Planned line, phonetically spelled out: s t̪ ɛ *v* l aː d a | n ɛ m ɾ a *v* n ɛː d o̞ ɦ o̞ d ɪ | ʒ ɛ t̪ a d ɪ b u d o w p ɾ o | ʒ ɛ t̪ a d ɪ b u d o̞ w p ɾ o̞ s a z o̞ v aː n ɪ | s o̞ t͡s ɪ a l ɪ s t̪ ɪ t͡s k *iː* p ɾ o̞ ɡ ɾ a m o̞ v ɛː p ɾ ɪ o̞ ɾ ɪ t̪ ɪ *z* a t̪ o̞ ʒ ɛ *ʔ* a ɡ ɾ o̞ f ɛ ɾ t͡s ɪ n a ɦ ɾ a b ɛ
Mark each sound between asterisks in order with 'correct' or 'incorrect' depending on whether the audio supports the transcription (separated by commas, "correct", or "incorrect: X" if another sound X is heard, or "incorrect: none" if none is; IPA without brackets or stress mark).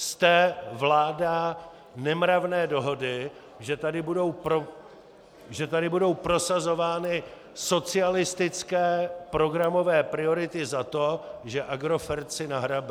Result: correct, correct, incorrect: ɛː, correct, correct